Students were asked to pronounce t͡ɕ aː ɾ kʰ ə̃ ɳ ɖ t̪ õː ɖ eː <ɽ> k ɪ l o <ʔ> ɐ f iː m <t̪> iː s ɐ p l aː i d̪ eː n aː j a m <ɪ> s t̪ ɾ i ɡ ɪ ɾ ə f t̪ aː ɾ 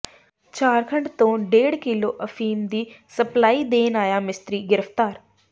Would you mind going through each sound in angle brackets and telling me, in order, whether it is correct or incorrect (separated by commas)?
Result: correct, correct, incorrect, correct